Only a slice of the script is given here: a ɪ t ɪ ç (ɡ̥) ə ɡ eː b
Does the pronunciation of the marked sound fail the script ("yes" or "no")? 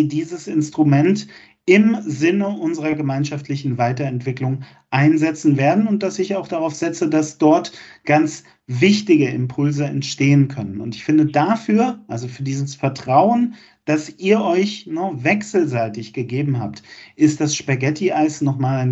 no